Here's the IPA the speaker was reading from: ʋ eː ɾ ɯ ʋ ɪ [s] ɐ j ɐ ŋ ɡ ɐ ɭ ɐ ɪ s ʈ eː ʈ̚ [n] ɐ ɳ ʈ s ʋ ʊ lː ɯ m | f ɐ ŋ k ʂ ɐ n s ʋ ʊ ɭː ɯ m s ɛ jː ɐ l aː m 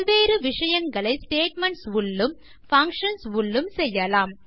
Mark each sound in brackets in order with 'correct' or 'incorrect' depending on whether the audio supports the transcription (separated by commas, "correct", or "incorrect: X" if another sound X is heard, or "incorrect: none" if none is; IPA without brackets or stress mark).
incorrect: ʂ, incorrect: m